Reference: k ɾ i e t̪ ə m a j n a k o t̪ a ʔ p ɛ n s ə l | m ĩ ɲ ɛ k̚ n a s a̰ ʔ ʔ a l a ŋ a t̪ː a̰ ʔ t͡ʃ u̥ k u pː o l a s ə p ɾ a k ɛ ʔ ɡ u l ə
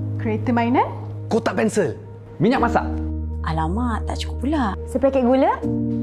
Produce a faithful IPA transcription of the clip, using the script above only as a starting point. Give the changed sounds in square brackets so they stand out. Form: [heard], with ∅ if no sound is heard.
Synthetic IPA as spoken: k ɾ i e t̪ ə m a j n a k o t̪ a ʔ p ɛ n s ə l | m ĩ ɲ [a] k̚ [m] a s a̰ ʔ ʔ a l a [m] a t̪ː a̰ ʔ t͡ʃ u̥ k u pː [u] l a s ə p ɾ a k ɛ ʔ ɡ u l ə